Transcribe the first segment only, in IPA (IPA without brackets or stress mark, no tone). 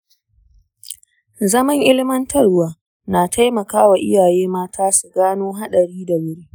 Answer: z